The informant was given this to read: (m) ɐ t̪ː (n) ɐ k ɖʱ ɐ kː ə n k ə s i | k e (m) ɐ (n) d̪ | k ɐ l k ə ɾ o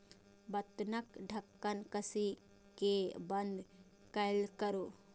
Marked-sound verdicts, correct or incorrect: incorrect, correct, incorrect, correct

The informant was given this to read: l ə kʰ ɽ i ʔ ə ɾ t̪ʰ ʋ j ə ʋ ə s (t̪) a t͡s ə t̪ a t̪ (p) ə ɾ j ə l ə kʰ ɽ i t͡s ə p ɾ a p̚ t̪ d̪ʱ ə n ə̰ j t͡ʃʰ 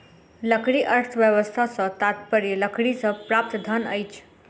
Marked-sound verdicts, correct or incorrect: incorrect, correct

